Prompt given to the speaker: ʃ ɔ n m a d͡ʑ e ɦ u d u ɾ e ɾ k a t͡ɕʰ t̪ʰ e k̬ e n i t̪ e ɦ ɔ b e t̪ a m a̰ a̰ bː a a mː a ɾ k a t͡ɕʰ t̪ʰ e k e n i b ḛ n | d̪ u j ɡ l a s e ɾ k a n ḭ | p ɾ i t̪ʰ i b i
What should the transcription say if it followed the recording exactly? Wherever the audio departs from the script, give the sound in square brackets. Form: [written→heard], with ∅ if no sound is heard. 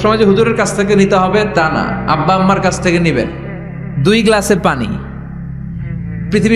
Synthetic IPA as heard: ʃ ɔ [n→∅] m a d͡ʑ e ɦ u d u ɾ e ɾ k a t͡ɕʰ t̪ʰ e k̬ e n i t̪ e ɦ ɔ b e t̪ a [m→n] a̰ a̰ bː a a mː a ɾ k a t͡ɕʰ t̪ʰ e k e n i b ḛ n | d̪ u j ɡ l a s e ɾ [k→p] a n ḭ | p ɾ i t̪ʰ i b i